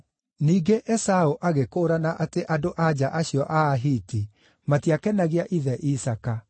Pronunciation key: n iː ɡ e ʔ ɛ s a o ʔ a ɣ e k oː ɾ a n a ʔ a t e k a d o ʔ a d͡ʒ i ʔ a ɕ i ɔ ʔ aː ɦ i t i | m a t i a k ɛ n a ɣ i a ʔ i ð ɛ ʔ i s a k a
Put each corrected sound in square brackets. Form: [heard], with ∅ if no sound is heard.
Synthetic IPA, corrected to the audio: n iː ɡ e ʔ ɛ s a o ʔ a ɣ e k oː ɾ a n a ʔ a t e [ʔ] a d o ʔ a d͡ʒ [a] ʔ a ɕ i ɔ ʔ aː ɦ i t i | m a t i a k ɛ n a ɣ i a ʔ i ð ɛ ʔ i s a k a